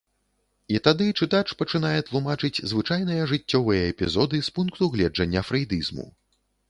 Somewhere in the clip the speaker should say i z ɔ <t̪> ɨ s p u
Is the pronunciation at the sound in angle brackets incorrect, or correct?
incorrect